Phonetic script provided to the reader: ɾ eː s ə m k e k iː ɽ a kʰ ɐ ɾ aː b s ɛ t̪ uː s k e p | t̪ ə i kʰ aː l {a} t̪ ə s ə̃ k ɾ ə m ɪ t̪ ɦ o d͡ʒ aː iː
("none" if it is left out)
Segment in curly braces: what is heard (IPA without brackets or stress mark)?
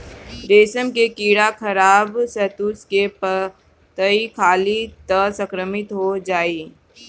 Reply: i